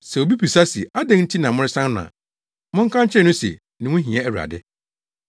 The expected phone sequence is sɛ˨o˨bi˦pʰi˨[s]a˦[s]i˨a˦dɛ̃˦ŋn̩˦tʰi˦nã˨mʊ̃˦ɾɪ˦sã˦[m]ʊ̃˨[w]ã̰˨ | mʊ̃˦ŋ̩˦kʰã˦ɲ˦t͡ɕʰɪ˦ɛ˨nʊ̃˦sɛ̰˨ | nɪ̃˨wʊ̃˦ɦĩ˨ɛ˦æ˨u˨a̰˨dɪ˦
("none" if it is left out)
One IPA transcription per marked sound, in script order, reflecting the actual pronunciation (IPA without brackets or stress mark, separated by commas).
s, s, n, none